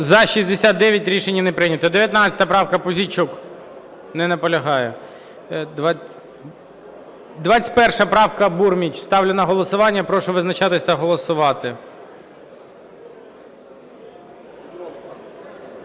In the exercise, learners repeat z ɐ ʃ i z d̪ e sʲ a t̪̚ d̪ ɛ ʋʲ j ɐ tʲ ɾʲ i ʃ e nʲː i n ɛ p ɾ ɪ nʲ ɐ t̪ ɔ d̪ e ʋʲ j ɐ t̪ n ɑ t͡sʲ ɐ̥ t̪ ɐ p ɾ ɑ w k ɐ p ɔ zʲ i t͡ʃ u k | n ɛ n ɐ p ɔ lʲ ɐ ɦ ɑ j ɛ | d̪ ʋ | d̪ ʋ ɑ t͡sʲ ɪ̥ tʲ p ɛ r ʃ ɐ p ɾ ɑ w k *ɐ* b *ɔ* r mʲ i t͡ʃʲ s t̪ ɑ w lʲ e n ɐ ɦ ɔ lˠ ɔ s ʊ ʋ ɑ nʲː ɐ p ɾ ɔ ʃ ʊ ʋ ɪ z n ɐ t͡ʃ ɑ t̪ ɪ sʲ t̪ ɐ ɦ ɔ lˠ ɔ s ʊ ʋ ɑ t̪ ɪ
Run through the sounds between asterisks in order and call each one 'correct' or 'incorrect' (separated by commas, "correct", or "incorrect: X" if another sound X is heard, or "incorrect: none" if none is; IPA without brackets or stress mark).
correct, incorrect: u